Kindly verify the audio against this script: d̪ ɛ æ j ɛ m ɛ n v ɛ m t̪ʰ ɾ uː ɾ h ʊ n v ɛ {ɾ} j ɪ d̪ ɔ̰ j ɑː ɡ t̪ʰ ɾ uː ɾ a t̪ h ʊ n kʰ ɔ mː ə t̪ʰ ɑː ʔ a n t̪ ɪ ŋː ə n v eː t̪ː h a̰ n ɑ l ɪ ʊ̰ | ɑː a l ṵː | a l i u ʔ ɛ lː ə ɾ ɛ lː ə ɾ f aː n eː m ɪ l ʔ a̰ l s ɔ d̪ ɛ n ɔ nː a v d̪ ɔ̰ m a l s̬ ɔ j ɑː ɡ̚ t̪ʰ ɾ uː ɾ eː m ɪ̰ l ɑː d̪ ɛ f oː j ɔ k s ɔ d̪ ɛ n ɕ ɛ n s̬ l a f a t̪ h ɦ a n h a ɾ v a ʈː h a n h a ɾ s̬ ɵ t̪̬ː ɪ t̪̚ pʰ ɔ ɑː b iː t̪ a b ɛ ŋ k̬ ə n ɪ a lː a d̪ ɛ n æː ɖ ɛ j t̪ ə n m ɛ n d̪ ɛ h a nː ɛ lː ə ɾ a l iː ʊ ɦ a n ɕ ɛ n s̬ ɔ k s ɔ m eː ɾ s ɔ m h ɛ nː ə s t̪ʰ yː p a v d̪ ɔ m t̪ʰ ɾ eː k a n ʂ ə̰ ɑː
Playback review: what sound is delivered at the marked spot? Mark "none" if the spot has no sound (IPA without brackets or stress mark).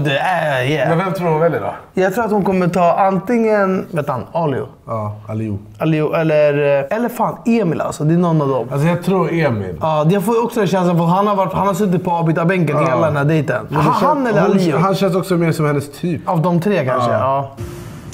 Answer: l